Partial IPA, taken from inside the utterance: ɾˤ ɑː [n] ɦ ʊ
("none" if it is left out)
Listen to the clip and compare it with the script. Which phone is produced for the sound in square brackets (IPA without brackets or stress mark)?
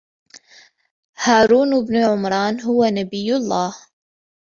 n